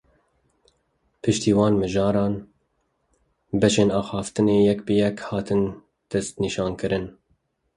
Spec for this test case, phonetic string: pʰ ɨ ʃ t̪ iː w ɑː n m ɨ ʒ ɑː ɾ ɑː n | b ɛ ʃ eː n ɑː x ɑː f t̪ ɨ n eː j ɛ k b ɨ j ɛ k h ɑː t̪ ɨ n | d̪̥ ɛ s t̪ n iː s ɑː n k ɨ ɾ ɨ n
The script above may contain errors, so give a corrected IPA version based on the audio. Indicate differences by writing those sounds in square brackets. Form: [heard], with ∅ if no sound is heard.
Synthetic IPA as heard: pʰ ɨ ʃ t̪ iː w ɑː n m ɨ ʒ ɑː ɾ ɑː n | b ɛ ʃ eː n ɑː x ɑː f t̪ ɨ n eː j ɛ k b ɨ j ɛ k h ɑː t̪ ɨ n | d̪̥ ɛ s t̪ n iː [ʃ] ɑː n k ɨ ɾ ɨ n

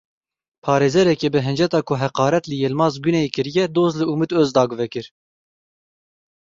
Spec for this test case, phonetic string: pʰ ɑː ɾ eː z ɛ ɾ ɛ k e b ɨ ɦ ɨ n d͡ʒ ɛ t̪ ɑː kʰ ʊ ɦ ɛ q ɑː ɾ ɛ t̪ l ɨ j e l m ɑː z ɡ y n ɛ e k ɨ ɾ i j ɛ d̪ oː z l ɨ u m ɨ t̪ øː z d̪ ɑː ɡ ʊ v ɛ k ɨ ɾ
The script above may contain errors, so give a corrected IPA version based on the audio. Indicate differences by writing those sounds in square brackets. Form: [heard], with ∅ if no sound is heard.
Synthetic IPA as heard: pʰ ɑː ɾ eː z ɛ ɾ ɛ k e b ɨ ɦ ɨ n d͡ʒ ɛ t̪ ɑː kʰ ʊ ɦ ɛ q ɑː ɾ ɛ t̪ l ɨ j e l m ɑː z ɡ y n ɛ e k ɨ ɾ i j ɛ d̪ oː z l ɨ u m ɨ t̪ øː z d̪ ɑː ɡ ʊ v ɛ k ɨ ɾ

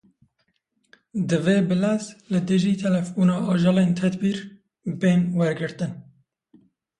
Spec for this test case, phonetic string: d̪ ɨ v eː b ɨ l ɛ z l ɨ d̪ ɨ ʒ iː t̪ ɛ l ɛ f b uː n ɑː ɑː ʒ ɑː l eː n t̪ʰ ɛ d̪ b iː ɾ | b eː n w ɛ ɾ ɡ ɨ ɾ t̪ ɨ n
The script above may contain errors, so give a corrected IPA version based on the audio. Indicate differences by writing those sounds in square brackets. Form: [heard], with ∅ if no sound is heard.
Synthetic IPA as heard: d̪ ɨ v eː b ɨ l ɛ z l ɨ d̪ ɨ ʒ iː [t̪ʰ] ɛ l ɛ f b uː n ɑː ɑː ʒ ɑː l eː n t̪ʰ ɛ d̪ b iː ɾ | b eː n w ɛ ɾ ɡ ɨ ɾ t̪ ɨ n

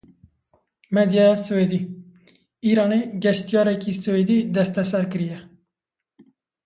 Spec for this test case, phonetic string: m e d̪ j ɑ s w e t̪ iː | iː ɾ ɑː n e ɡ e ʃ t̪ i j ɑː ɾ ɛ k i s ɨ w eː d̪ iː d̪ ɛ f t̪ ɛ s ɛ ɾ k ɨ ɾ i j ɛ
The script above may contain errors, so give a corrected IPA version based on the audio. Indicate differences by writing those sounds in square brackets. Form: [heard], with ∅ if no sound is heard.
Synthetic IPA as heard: m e d̪ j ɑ s w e [d̪] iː | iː ɾ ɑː n e ɡ [ɛ] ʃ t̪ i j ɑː ɾ ɛ k i s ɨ w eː d̪ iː d̪ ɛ [s] t̪ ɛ s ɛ ɾ k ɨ ɾ i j ɛ

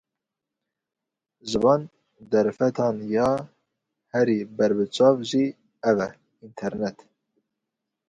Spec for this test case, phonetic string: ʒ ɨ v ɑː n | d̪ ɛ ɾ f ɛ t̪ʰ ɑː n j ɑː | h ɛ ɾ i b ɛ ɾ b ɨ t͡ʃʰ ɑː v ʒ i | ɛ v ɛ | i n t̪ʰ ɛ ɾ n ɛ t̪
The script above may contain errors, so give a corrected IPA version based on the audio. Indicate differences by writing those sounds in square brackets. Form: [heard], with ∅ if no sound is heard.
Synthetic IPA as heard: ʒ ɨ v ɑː n | d̪ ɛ ɾ f ɛ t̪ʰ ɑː n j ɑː | h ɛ ɾ i b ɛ ɾ b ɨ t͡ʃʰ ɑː v ʒ i | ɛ v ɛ | i n t̪ʰ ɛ ɾ n ɛ t̪

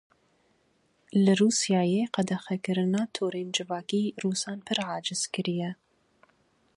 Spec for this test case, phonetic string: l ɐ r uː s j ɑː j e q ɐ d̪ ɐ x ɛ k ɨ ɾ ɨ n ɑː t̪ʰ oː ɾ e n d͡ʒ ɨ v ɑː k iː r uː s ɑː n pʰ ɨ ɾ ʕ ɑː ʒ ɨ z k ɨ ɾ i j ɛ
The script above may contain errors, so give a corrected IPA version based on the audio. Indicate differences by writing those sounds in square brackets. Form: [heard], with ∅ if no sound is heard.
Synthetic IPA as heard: l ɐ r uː s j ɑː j e q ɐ d̪ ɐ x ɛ k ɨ ɾ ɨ n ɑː t̪ʰ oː ɾ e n d͡ʒ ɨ v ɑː k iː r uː s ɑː n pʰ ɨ ɾ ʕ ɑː [d͡ʒ] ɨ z k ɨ ɾ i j ɛ

